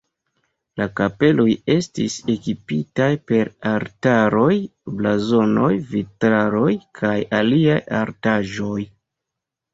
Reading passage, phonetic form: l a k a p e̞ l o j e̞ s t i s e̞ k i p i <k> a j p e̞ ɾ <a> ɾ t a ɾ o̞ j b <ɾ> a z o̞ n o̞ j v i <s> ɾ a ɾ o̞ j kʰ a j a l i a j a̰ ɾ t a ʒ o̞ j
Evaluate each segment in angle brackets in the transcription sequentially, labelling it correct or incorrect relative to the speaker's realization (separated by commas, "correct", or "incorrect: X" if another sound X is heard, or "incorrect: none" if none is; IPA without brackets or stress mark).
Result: incorrect: t, correct, incorrect: l, incorrect: t